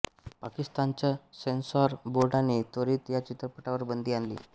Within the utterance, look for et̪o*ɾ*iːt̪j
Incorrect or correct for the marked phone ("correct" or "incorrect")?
correct